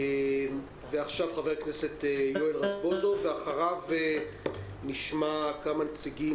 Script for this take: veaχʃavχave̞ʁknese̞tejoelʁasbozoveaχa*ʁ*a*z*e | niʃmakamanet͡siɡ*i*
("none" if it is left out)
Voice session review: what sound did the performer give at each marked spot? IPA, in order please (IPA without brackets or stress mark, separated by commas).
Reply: ʁ, v, i